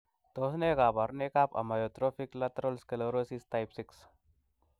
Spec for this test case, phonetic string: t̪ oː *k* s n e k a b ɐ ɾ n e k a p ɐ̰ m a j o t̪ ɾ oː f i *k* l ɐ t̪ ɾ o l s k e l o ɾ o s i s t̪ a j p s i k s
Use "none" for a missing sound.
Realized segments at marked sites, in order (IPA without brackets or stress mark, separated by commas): none, k